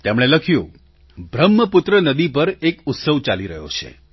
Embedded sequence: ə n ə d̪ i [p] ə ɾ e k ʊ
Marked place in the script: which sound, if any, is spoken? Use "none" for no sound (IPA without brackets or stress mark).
p